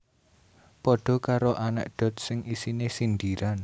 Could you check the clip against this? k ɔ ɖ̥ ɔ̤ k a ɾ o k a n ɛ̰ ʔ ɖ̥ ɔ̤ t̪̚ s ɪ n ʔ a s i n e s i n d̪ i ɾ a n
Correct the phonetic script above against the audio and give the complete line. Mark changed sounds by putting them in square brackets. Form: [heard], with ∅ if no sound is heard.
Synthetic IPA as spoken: [p] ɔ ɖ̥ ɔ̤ k a ɾ o [ʔ] a n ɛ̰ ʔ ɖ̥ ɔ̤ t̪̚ s ɪ [ŋ] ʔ [i] s i n e s i n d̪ i ɾ a n